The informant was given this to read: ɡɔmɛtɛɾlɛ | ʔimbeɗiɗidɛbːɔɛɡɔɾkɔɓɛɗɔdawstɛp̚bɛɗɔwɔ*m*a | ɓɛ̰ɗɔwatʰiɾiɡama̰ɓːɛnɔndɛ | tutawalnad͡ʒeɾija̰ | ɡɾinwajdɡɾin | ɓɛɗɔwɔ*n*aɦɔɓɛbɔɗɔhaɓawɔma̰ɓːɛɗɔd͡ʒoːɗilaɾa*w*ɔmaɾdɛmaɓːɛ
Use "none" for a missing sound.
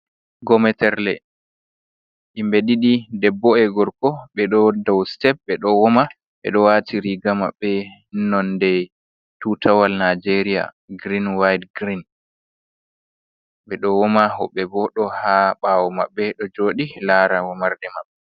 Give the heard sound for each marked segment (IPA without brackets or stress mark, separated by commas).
m, m, w